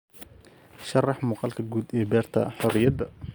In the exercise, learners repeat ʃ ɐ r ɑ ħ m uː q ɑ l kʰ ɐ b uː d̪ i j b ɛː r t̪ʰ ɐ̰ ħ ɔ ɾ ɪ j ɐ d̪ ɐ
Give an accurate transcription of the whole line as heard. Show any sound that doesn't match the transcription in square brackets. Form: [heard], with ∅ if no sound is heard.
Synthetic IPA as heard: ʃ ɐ r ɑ ħ m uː q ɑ l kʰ ɐ [ɡ] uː d̪ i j b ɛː r t̪ʰ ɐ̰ ħ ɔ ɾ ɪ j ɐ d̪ ɐ